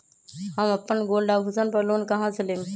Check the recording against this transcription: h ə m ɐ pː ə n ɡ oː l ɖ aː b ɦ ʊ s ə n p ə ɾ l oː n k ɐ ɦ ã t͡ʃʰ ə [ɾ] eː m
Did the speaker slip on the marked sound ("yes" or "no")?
yes